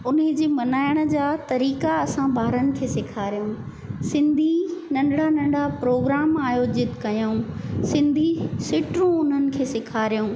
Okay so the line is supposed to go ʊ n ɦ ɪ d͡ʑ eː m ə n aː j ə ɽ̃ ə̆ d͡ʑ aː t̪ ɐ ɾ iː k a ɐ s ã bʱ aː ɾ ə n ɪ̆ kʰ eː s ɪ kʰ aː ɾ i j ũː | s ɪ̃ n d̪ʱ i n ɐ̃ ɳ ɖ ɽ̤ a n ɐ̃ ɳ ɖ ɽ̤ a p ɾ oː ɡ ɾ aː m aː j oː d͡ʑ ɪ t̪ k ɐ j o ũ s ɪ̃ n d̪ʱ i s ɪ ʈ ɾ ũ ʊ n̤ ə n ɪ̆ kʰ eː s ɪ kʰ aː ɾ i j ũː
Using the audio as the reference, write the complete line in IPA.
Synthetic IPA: ʊ n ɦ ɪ d͡ʑ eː m ɐ n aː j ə ɽ̃ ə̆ d͡ʑ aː t̪ ɐ ɾ iː k a ɐ s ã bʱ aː ɾ ə n ɪ̆ kʰ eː s ɪ kʰ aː ɾ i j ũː | s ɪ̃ n d̪ʱ i n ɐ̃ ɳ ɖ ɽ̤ a n ɐ̃ ɳ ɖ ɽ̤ a p ɾ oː ɡ ɾ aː m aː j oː d͡ʑ ɪ t̪ k ɐ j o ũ s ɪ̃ n d̪ʱ i s ɪ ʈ ɾ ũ ʊ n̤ ə n ɪ̆ kʰ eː s ɪ kʰ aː ɾ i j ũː

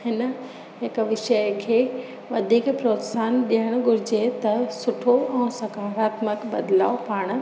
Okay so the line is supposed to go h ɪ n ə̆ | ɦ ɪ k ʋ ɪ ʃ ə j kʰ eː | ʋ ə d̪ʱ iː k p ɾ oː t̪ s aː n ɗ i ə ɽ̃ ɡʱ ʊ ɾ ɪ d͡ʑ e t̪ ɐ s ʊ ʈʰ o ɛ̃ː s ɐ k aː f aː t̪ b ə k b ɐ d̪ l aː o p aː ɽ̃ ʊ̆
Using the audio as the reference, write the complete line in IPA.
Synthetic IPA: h ɪ n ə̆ | ɦ ɪ k ʋ ɪ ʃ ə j kʰ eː | ʋ ɐ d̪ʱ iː k p ɾ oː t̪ s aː n ɗ i ə ɽ̃ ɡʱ ʊ ɾ ɪ d͡ʑ e t̪ ɐ s ʊ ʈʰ o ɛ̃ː s ɐ k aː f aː t̪ m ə k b ɐ d̪ l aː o p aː ɽ̃ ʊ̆

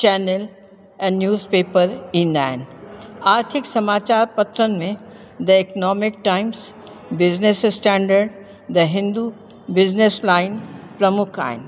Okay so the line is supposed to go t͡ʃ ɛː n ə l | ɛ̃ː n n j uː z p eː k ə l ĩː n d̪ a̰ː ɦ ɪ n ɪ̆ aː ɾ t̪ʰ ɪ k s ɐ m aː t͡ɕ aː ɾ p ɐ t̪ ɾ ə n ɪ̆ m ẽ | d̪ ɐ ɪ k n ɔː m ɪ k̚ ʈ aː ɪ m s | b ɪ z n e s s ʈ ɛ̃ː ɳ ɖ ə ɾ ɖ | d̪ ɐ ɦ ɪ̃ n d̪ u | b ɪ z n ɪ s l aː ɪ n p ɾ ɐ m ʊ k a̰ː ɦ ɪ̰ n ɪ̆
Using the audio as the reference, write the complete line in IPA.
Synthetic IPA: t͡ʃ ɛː n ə l | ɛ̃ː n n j uː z p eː p ə ɾ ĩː n d̪ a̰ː ɦ ɪ n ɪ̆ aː ɾ t̪ʰ ɪ k s ɐ m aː t͡ɕ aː ɾ p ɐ t̪ ɾ ə n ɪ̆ m ẽ | d̪ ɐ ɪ k n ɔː m ɪ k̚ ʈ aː ɪ m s | b ɪ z n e s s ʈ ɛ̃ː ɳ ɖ ə ɾ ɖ | d̪ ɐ ɦ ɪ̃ n d̪ u | b ɪ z n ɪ s l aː ɪ n p ɾ ɐ m ʊ kʰ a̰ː ɦ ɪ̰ n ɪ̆

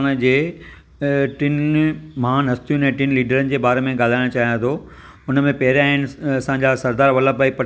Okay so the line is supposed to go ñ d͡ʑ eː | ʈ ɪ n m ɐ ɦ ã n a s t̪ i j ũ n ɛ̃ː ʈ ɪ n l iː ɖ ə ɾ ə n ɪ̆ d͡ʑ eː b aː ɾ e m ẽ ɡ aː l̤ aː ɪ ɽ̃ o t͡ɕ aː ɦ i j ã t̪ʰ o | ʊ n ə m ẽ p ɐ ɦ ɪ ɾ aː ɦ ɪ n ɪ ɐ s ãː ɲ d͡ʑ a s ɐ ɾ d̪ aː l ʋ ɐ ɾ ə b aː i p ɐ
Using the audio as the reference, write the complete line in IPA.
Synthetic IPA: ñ d͡ʑ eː | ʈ ɪ n m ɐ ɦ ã n ɐ s t̪ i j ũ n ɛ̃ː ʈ ɪ n l iː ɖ ə ɾ ə n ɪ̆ d͡ʑ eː b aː ɾ e m ẽ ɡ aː l̤ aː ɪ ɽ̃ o t͡ɕ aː ɦ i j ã t̪ʰ o | ʊ n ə m ẽ p ɐ ɦ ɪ ɾ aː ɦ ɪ n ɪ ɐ s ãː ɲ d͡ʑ a s ɐ ɾ d̪ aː ɾ ʋ ɐ l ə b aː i p ɐ

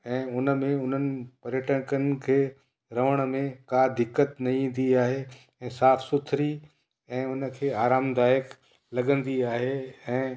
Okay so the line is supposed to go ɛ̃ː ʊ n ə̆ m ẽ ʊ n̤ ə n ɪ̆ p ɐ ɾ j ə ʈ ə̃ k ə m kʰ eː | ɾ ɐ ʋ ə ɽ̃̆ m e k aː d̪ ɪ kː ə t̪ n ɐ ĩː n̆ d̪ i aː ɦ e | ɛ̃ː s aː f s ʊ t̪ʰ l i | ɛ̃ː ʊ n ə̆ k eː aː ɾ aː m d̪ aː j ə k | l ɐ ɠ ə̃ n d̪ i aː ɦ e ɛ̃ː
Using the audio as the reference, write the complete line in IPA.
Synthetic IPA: ɛ̃ː ʊ n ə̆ m ẽ ʊ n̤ ə n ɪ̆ p ɐ ɾ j ə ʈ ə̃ k ə n kʰ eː | ɾ ɐ ʋ ə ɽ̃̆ m ẽ k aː d̪ ɪ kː ə t̪ n ɐ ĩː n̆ d̪ i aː ɦ e | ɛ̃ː s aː f s ʊ t̪ʰ ɾ i | ɛ̃ː ʊ n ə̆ kʰ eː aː ɾ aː m d̪ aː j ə k | l ɐ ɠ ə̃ n d̪ i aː ɦ e ɛ̃ː

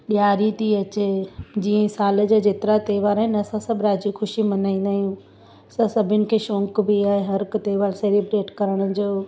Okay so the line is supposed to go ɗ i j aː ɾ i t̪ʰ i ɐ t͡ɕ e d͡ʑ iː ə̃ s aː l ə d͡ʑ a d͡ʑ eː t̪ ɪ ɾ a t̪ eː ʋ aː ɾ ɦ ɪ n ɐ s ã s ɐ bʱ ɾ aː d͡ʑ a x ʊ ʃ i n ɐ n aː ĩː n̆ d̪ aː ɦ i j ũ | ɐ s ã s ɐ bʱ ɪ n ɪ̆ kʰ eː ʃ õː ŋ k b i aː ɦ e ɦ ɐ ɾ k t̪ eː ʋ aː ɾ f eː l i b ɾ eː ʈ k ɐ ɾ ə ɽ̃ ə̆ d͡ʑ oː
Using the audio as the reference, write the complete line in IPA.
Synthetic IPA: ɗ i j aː ɾ i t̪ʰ i ɐ t͡ɕ e d͡ʑ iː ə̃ s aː l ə d͡ʑ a d͡ʑ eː t̪ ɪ ɾ a t̪ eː ʋ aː ɾ ɦ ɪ n ɐ s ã s ɐ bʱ ɾ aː d͡ʑ i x ʊ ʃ i m ɐ n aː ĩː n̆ d̪ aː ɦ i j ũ | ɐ s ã s ɐ bʱ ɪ n ɪ̆ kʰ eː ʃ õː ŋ k b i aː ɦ e ɦ ɐ ɾ k t̪ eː ʋ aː ɾ s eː l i b ɾ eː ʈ k ɐ ɾ ə ɽ̃ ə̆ d͡ʑ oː

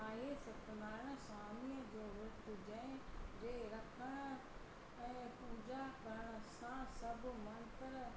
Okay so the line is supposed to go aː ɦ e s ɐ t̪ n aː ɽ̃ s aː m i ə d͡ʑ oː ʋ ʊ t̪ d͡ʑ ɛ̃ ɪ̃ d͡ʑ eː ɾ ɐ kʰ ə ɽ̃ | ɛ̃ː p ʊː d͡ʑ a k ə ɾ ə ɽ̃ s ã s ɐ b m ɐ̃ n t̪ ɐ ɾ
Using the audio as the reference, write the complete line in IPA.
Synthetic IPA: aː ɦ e s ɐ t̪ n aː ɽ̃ s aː m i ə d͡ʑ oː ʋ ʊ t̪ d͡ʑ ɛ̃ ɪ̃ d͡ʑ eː ɾ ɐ kʰ ə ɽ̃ | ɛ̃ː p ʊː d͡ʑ a k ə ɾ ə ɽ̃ s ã s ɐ b m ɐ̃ n t̪ ə ɾ

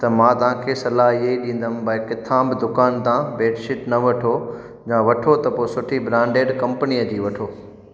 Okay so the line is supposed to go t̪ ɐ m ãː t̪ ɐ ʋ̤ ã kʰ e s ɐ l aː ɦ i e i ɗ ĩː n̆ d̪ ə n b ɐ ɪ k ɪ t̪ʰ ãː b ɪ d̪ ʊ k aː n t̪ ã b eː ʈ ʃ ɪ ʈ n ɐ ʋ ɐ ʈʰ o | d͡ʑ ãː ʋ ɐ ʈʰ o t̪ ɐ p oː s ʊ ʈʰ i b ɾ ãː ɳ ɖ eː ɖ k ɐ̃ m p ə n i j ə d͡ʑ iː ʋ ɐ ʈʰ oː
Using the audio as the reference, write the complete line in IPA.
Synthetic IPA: t̪ ɐ m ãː t̪ ɐ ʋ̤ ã kʰ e s ɐ l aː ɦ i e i ɗ ĩː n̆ d̪ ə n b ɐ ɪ k ɪ t̪ʰ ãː b ɪ d̪ ʊ k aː n t̪ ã b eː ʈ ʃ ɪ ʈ n ɐ ʋ ɐ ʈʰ o | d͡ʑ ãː ʋ ɐ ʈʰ o t̪ ɐ p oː s ʊ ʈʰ i b ɾ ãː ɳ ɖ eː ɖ k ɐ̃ m p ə n i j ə d͡ʑ iː ʋ ɐ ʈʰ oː

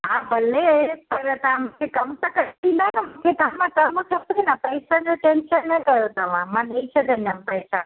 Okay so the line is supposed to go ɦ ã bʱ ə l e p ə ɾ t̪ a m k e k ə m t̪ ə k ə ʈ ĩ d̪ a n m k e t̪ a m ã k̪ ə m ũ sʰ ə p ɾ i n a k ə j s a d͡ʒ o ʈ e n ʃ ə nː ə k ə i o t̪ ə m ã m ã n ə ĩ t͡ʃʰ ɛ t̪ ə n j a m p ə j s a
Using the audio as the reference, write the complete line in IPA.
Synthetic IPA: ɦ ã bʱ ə l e p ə ɾ t̪ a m k e k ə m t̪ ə k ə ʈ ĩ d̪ a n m k e t̪ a m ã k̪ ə m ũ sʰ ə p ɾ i n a p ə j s a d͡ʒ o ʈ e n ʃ ə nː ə k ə j o t̪ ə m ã m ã n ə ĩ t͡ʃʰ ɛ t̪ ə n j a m p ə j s a

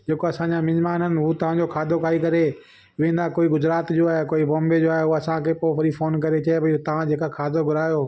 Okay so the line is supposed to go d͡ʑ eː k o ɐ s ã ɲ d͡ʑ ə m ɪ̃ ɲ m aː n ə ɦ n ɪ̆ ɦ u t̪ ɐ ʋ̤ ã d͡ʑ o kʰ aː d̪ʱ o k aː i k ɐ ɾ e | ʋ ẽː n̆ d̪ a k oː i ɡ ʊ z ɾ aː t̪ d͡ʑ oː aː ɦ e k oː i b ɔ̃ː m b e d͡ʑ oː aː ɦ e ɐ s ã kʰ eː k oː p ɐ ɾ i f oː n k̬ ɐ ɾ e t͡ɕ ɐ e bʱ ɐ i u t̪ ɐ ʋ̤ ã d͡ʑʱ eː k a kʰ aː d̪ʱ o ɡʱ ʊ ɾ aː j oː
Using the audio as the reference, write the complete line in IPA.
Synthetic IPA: d͡ʑ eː k o ɐ s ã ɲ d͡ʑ a m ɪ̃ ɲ m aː n ə n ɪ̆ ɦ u t̪ ɐ ʋ̤ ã d͡ʑ o kʰ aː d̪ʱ o k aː i k ɐ ɾ e | ʋ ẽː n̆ d̪ a k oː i ɡ ʊ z ɾ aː t̪ d͡ʑ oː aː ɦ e k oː i b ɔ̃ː m b e d͡ʑ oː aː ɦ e ɐ s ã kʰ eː p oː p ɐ ɾ i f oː n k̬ ɐ ɾ e t͡ɕ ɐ e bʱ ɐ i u t̪ ɐ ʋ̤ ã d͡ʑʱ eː k a kʰ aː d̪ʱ o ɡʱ ʊ ɾ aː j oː

